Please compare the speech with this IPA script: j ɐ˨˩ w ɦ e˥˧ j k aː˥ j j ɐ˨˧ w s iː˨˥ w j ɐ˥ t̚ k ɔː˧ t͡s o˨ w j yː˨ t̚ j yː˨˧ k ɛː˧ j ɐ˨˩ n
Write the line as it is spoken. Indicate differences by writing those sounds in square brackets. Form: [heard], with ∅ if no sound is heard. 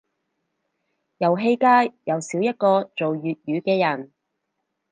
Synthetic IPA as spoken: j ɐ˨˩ w ɦ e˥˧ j k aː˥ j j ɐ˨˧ w s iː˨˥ w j ɐ˥ t̚ k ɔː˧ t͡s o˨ w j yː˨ t̚ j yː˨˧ k ɛː˧ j ɐ˨˩ n